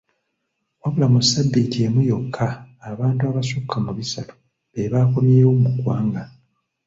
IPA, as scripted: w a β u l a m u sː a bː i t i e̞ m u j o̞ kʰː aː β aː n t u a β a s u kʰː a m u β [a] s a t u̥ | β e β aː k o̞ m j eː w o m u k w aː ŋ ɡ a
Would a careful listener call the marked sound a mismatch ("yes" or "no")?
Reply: yes